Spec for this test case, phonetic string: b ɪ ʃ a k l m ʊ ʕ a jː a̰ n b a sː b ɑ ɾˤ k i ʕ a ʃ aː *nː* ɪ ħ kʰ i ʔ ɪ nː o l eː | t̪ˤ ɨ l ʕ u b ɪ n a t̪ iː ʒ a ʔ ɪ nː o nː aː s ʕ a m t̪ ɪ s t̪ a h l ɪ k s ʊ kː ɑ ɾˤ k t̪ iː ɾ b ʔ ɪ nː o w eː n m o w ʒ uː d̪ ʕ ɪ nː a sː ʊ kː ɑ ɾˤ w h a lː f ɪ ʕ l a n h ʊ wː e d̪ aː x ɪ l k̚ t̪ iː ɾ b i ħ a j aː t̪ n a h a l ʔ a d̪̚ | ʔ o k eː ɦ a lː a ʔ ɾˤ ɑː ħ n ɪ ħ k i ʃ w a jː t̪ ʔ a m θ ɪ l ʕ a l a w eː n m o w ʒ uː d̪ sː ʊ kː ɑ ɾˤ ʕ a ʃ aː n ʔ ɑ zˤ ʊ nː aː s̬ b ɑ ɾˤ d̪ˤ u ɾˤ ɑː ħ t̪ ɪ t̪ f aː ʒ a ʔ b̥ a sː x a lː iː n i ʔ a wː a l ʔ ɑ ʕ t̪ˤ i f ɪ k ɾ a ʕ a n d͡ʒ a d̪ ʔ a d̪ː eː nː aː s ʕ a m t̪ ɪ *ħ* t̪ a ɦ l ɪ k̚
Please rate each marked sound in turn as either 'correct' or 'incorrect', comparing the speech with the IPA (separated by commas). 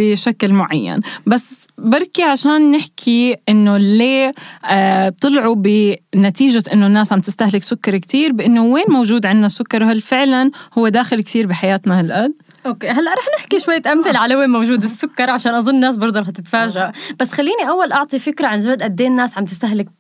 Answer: correct, incorrect